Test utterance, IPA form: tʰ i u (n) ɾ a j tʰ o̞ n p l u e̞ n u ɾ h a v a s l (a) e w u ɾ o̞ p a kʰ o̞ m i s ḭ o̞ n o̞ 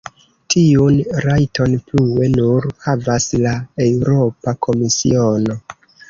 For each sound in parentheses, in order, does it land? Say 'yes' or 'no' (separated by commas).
yes, yes